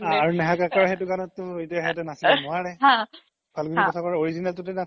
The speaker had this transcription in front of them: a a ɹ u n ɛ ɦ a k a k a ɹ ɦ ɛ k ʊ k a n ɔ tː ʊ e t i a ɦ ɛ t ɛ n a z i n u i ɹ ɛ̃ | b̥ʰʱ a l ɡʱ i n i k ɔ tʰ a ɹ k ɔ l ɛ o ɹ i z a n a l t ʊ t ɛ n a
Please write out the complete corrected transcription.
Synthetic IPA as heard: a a ɹ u n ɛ ɦ a k a k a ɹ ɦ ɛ t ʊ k a n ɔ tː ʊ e t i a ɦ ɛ t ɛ n a s i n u a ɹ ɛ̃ | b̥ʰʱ a l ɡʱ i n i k ɔ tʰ a k ɔ ɹ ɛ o ɹ i z i n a l t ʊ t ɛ n a